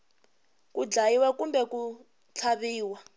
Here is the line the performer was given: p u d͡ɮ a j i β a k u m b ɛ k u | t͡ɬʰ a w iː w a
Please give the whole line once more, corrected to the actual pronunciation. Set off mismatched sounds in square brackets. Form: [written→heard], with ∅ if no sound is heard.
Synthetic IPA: [p→k] u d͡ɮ a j i [β→w] a k u m b ɛ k u | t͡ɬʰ a [w→β] iː w a